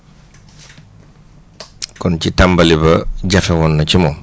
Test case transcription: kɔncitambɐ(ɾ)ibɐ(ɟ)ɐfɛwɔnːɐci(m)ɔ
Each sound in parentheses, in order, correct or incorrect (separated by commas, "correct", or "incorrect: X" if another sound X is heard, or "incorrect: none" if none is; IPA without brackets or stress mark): incorrect: l, correct, correct